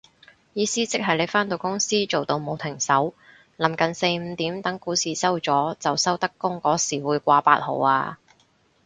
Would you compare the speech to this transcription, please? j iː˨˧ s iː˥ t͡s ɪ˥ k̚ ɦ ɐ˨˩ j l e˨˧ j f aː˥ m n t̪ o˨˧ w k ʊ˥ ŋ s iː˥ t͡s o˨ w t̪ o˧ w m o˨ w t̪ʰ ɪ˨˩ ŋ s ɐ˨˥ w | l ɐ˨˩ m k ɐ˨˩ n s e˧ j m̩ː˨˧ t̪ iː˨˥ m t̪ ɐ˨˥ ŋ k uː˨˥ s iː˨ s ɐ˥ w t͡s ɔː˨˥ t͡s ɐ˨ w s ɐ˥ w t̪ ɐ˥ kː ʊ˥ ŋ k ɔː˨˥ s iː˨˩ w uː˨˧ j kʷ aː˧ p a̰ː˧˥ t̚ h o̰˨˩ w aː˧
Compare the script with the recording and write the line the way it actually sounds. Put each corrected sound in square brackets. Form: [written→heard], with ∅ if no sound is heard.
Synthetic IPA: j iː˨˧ s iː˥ t͡s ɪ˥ k̚ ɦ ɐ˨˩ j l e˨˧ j f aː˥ [m→∅] n t̪ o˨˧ w k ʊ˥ ŋ s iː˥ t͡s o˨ w t̪ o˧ w m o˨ w t̪ʰ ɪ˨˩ ŋ s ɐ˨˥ w | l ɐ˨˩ m k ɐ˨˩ n s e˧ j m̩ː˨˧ t̪ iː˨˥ m t̪ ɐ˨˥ ŋ k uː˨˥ s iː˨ s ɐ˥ w t͡s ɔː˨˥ t͡s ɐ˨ w s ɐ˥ w t̪ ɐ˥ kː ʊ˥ ŋ k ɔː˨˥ s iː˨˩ w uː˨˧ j kʷ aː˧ p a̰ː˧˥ t̚ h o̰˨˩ w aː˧